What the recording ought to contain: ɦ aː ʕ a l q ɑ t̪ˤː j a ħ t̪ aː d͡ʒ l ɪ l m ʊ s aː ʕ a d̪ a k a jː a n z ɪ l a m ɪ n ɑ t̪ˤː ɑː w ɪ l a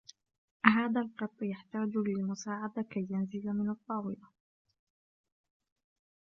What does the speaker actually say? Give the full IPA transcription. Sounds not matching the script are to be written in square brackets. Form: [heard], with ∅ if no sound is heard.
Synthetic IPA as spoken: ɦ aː [ð] a l q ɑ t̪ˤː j a ħ t̪ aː d͡ʒ l ɪ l m ʊ s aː ʕ a d̪ a k a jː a n z ɪ l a m ɪ n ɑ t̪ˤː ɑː w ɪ l a